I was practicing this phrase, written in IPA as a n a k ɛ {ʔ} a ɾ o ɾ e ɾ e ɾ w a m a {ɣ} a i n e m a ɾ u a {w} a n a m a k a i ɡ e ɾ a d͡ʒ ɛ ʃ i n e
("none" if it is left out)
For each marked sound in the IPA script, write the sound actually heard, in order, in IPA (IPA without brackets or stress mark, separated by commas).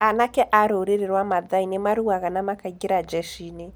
ʔ, ð, ɣ